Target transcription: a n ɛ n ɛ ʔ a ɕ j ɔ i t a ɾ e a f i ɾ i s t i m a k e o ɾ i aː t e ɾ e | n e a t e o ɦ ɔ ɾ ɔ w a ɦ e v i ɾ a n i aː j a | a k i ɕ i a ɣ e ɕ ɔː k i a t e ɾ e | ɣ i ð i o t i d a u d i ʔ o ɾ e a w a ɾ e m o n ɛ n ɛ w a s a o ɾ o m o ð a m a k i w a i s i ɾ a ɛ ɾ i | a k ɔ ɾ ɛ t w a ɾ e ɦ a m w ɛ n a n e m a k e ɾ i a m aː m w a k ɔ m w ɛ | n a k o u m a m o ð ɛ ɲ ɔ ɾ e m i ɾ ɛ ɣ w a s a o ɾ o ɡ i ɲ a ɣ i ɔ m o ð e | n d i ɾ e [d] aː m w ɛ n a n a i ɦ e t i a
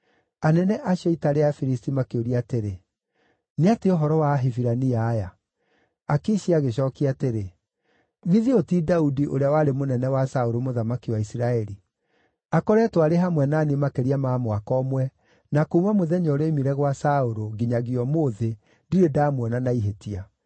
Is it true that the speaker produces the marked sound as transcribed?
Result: yes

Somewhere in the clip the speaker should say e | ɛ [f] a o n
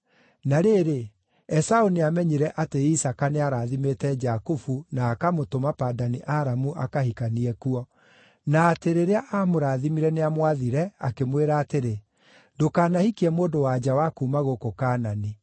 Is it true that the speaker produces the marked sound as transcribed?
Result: no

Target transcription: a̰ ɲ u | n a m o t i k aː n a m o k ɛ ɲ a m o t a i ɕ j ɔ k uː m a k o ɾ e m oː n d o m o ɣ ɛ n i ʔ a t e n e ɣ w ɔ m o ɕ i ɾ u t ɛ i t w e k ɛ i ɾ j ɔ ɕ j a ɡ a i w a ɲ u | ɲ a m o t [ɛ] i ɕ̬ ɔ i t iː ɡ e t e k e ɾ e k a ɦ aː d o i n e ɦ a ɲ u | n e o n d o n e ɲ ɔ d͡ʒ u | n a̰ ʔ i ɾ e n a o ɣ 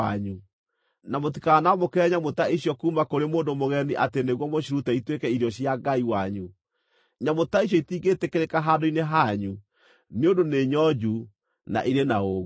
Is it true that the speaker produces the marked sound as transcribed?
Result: no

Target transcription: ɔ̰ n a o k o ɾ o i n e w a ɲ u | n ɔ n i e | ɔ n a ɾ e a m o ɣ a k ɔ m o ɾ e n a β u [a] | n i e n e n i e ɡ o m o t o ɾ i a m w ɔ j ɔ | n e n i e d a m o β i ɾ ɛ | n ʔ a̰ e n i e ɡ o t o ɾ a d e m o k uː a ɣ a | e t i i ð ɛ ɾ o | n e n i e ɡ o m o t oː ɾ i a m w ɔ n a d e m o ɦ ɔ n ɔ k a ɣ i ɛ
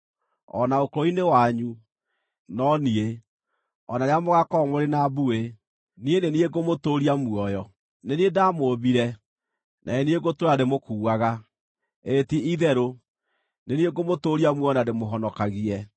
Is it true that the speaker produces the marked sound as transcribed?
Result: no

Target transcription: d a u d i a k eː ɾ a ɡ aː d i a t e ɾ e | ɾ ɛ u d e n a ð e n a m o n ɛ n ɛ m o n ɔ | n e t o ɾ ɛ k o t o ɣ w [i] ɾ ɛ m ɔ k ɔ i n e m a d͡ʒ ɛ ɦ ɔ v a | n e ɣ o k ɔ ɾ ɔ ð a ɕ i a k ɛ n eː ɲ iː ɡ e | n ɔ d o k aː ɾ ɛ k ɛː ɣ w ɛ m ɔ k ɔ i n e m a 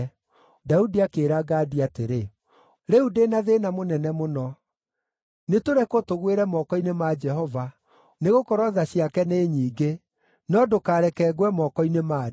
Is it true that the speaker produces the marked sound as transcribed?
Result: no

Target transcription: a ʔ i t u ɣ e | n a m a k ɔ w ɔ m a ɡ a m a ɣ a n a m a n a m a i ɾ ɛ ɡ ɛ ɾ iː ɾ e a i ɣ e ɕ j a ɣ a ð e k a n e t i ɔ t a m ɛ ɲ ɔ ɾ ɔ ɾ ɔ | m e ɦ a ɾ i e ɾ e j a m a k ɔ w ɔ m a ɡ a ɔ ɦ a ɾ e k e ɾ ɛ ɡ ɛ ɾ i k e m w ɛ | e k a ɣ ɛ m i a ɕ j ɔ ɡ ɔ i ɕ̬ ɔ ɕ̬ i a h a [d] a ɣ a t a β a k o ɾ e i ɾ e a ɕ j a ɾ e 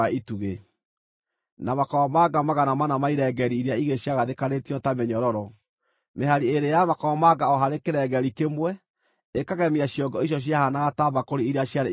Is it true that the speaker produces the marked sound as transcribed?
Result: no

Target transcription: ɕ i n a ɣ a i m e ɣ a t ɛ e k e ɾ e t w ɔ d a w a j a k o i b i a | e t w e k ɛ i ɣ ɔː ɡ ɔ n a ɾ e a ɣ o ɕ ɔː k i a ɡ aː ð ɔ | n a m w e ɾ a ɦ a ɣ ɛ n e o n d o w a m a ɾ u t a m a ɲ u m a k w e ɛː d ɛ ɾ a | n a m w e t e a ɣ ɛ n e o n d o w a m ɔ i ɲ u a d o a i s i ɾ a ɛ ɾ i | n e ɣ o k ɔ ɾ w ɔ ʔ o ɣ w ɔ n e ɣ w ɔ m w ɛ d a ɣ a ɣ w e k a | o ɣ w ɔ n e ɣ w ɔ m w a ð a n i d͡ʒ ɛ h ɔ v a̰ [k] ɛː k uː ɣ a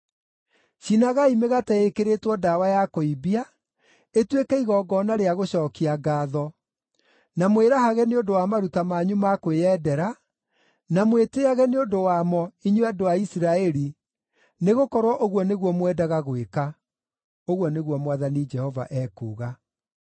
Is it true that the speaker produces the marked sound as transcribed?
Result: no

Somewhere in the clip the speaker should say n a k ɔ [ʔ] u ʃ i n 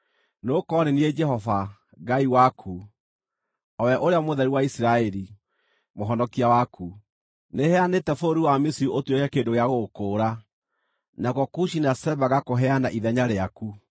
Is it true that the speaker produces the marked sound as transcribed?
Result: no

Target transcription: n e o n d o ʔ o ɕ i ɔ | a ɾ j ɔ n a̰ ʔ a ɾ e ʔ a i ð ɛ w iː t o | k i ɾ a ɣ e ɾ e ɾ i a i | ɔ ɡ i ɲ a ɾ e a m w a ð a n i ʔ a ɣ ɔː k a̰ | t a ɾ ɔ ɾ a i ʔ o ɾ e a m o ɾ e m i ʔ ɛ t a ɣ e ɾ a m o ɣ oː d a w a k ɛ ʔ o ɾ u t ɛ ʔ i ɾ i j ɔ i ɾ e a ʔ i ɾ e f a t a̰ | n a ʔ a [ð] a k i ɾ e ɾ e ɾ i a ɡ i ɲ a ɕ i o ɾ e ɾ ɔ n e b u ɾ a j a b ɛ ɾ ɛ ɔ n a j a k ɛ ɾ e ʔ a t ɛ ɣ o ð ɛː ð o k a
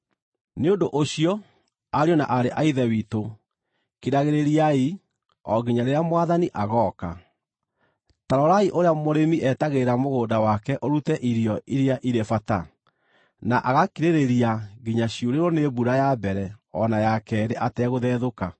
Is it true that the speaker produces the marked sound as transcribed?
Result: no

